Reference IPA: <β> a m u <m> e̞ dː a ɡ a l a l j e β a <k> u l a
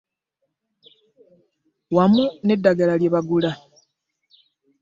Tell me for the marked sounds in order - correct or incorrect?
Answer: incorrect, incorrect, incorrect

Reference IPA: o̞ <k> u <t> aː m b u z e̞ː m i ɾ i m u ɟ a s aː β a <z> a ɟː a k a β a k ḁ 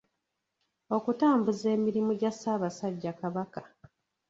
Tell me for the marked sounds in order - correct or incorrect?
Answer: correct, correct, incorrect

